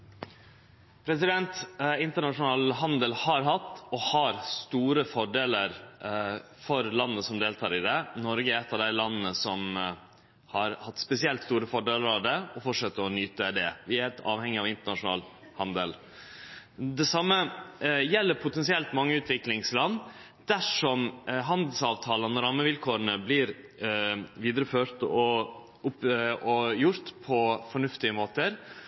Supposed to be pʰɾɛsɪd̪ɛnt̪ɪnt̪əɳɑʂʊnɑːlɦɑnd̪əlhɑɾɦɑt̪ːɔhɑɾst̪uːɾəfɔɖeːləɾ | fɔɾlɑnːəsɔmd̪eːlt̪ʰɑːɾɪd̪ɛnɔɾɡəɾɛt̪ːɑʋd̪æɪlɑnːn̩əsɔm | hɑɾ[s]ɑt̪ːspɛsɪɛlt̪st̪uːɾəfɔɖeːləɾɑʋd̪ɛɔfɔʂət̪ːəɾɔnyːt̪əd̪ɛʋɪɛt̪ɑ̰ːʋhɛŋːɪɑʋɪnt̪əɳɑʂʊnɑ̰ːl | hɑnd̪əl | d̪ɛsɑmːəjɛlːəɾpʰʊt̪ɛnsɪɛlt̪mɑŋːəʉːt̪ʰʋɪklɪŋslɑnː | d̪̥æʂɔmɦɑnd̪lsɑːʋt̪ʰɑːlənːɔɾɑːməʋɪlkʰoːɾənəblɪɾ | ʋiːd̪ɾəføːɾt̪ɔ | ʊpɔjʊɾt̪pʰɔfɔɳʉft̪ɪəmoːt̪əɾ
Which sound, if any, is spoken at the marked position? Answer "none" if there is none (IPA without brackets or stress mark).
h